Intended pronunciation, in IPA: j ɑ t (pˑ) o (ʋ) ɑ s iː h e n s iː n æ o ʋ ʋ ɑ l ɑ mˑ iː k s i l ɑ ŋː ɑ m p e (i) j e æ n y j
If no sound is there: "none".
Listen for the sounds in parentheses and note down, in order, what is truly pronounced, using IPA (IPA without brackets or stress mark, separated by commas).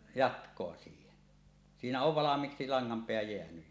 kˑ, none, æ